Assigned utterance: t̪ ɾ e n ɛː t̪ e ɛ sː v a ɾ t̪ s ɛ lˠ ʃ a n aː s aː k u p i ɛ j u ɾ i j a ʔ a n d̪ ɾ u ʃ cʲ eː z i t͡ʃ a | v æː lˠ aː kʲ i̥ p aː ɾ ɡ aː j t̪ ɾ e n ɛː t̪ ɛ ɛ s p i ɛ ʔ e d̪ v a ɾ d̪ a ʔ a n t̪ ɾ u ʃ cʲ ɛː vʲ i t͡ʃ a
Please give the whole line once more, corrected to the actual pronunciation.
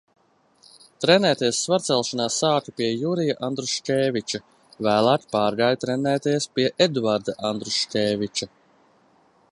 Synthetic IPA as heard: t̪ ɾ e n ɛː t̪ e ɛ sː v a ɾ t̪ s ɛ lˠ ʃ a n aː s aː k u p i ɛ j u ɾ i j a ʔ a n d̪ ɾ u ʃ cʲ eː v i t͡ʃ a | v æː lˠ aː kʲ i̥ p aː ɾ ɡ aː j t̪ ɾ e n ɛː t̪ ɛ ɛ s p i ɛ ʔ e d̪ v a ɾ d̪ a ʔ a n d̪ ɾ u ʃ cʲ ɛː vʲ i t͡ʃ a